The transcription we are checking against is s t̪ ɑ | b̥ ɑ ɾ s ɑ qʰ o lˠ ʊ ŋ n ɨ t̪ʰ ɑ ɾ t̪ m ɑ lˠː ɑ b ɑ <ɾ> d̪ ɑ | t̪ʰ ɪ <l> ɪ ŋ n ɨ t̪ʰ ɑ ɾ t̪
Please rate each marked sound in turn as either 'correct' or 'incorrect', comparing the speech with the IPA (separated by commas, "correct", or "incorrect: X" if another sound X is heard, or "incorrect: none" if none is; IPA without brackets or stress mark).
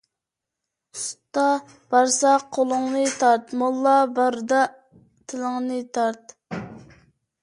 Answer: correct, correct